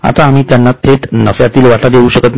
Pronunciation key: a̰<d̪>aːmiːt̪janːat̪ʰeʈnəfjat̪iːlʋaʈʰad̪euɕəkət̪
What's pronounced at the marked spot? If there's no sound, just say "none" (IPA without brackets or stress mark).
t̪